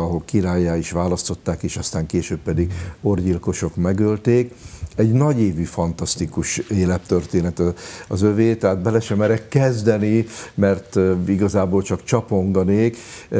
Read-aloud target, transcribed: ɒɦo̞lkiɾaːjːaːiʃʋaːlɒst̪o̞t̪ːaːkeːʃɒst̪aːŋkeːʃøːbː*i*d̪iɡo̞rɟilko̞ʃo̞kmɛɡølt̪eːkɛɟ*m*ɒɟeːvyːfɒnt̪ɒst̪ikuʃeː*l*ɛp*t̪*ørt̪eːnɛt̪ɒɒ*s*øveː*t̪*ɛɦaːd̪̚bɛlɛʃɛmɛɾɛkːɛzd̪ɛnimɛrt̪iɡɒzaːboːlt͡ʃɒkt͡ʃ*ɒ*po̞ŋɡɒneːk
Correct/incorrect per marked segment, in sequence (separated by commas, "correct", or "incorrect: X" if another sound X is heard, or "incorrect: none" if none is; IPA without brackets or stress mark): incorrect: ɛ, incorrect: n, correct, correct, incorrect: z, correct, correct